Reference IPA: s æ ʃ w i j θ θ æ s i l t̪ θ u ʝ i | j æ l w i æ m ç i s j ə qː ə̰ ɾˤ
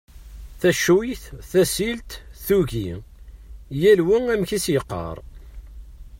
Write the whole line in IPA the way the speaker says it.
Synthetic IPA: θ æ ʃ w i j θ θ æ s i l t̪ θ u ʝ i | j æ l w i æ m ç i s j ə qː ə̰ ɾˤ